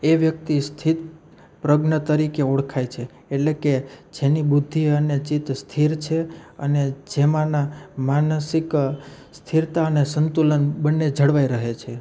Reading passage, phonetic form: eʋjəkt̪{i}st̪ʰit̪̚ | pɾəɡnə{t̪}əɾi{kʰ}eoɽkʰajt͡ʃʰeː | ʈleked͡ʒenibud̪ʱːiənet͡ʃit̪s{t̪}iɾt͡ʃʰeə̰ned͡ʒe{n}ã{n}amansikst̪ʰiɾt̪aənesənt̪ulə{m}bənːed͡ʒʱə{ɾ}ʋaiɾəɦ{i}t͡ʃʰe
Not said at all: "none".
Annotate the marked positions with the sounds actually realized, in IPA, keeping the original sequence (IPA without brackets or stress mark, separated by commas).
i, t̪, k, t̪ʰ, m, n, n, ɽ, e